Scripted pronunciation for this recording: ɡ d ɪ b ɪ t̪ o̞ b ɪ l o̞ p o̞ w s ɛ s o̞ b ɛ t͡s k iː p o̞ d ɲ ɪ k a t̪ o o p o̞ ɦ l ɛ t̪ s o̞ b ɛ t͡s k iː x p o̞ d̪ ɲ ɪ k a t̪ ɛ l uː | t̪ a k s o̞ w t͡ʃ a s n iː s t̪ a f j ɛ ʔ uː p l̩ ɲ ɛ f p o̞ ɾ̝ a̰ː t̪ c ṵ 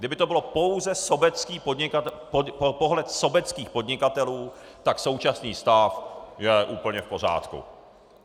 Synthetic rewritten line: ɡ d ɪ b ɪ t̪ o̞ b ɪ l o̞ p o̞ w z ɛ s o̞ b ɛ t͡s k iː p o̞ d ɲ ɪ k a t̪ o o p o̞ ɦ l ɛ t̪ s o̞ b ɛ t͡s k iː x p o̞ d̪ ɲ ɪ k a t̪ ɛ l uː | t̪ a k s o̞ w t͡ʃ a s n iː s t̪ a f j ɛ ʔ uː p l̩ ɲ ɛ f p o̞ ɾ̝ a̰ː t̪ k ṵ

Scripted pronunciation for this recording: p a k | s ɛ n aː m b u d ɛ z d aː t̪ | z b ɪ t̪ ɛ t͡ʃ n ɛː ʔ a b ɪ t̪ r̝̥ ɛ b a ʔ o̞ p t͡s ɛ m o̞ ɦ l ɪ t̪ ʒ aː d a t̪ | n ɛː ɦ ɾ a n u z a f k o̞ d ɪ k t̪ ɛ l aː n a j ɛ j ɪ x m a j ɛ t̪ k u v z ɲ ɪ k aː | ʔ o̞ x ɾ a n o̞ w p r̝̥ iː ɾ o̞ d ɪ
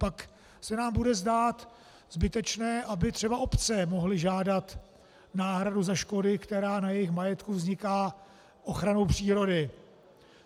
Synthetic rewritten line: p a k | s ɛ n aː m b u d ɛ z d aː t̪ | z b ɪ t̪ ɛ t͡ʃ n ɛː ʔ a b ɪ t̪ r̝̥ ɛ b a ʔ o̞ p t͡s ɛ m o̞ ɦ l ɪ ʒ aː d a t̪ | n aː ɦ ɾ a d u z a ʃ k o̞ d ɪ k t̪ ɛ ɾ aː n a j ɛ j ɪ x m a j ɛ t̪ k u v z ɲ ɪ k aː | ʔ o̞ x ɾ a n o̞ w p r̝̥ iː ɾ o̞ d ɪ

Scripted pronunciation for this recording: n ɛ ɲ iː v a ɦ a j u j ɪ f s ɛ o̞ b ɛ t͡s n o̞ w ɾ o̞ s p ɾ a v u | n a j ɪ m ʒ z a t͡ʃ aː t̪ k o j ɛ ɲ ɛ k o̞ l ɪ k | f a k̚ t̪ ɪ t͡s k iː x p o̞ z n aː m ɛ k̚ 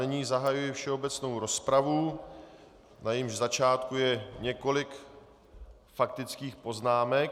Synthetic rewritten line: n ɛ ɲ iː z a ɦ a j u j ɪ f ʃ ɛ o̞ b ɛ t͡s n o̞ w ɾ o̞ s p ɾ a v u | n a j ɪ m ʒ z a t͡ʃ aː t̪ k u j ɛ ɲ ɛ k o̞ l ɪ k | f a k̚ t̪ ɪ t͡s k iː x p o̞ z n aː m ɛ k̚

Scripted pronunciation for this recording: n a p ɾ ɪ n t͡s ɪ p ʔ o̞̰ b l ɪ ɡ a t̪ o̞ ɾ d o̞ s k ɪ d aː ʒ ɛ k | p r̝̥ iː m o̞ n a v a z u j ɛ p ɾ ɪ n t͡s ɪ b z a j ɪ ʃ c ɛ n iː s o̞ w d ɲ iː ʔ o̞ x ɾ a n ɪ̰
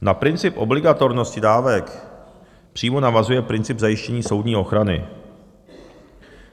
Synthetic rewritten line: n a p ɾ ɪ n t͡s ɪ p ʔ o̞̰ b l ɪ ɡ a t̪ o̞ ɾ n o̞ s c ɪ d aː v ɛ k | p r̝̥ iː m o̞ n a v a z u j ɛ p ɾ ɪ n t͡s ɪ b z a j ɪ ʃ c ɛ ɲ iː s o̞ w d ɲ iː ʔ o̞ x ɾ a n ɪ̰

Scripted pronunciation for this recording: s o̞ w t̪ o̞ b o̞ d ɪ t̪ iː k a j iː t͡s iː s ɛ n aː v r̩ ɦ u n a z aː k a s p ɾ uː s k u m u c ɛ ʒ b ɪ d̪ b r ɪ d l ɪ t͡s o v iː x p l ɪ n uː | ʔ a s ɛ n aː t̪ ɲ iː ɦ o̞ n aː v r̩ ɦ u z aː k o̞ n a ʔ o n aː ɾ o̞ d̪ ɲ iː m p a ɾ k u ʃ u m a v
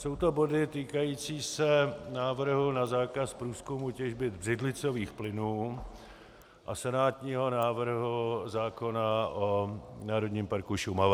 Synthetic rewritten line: s o̞ w t̪ o̞ b o̞ d ɪ t̪ iː k a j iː t͡s iː s ɛ n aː v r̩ ɦ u n a z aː k a s p ɾ uː s k u m u c ɛ ʒ b ɪ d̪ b r ɪ d l ɪ t͡s o v iː x p l ɪ n uː | ʔ a s ɛ n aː t̪ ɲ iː ɦ o̞ n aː v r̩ ɦ u z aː k o̞ n a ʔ o n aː ɾ o̞ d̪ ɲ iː m p a ɾ k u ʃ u m a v

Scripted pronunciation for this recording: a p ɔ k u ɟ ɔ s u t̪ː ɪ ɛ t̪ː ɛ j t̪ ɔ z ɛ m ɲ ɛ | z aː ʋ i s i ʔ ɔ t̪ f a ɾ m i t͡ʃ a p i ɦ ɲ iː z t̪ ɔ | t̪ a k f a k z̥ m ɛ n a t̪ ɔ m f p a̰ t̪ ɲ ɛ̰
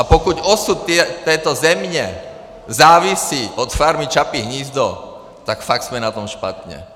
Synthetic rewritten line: a p ɔ k u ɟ ɔ s u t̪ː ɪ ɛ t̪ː ɛ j t̪ ɔ z ɛ m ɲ ɛ | z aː ʋ i s i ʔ ɔ t̪ f a ɾ m i t͡ʃ a p i ɦ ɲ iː z d̪ ɔ | t̪ a k f a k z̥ m ɛ n a t̪ ɔ m ʃ p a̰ t̪ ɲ ɛ̰

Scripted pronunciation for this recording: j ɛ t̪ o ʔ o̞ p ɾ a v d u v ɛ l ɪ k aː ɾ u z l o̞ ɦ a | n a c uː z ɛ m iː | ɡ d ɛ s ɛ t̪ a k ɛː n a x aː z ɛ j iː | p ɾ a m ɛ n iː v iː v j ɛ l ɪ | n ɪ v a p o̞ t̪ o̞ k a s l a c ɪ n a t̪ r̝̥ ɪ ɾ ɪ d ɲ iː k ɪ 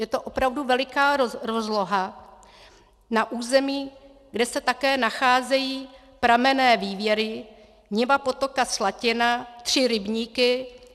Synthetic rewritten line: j ɛ t̪ o ʔ o̞ p ɾ a v d u v ɛ l ɪ k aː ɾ o z l o̞ ɦ a | n a ʔ uː z ɛ m iː | ɡ d ɛ s ɛ t̪ a k ɛː n a x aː z ɛ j iː | p ɾ a m ɛ n ɛː v iː v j ɛ ɾ ɪ | ɲ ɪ v a p o̞ t̪ o̞ k a s l a c ɪ n a t̪ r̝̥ ɪ ɾ ɪ b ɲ iː k ɪ

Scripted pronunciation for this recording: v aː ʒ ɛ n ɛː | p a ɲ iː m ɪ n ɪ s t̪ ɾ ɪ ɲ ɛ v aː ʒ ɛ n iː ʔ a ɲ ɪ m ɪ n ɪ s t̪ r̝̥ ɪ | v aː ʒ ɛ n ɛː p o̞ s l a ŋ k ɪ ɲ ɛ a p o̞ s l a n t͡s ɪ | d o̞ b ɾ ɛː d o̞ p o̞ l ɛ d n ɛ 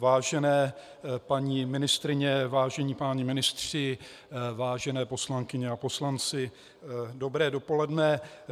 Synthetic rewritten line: v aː ʒ ɛ n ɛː | p a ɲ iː m ɪ n ɪ s t̪ ɾ ɪ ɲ ɛ v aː ʒ ɛ ɲ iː p a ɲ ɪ m ɪ n ɪ s t̪ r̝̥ ɪ | v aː ʒ ɛ n ɛː p o̞ s l a ŋ k ɪ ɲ ɛ a p o̞ s l a n t͡s ɪ | d o̞ b ɾ ɛː d o̞ p o̞ l ɛ d n ɛ

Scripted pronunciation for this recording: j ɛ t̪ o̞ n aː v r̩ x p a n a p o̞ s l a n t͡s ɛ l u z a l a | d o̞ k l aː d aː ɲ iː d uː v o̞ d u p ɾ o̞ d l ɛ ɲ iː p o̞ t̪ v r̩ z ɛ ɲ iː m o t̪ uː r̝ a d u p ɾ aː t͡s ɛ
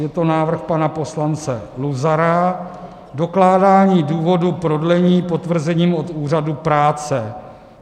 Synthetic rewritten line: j ɛ t̪ o̞ n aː v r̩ x p a n a p o̞ s l a n t͡s ɛ l u z a ɾ a | d o̞ k l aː d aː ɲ iː d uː v o̞ d u p ɾ o̞ d l ɛ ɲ iː p o̞ t̪ v r̩ z ɛ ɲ iː m o t̪ uː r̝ a d u p ɾ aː t͡s ɛ

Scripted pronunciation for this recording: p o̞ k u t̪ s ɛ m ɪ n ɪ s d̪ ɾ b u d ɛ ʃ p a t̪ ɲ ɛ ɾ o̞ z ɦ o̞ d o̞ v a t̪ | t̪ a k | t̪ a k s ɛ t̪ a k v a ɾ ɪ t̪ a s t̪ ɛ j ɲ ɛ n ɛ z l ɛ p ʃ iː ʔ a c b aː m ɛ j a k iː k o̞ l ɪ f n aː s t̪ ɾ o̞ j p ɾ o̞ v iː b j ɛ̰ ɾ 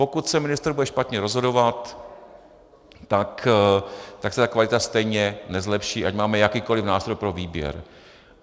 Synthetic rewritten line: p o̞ k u t̪ s ɛ m ɪ n ɪ s t̪ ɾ b u d ɛ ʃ p a t̪ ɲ ɛ ɾ o̞ z ɦ o̞ d o̞ v a t̪ | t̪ a k | t̪ a k s ɛ t̪ a k v a l ɪ t̪ a s t̪ ɛ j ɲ ɛ n ɛ z l ɛ p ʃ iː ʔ a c m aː m ɛ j a k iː k o̞ l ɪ f n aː s t̪ ɾ o̞ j p ɾ o̞ v iː b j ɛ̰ ɾ

